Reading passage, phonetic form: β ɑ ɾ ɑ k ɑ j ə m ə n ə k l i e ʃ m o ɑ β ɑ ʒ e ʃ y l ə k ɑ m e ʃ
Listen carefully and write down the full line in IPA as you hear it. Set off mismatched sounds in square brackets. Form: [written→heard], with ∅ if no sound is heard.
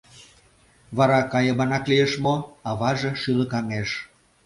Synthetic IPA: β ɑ ɾ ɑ k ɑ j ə m [ə→ɑ] n [ə→ɑ] k l i e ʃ m o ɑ β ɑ ʒ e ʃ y l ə k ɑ [m→ŋ] e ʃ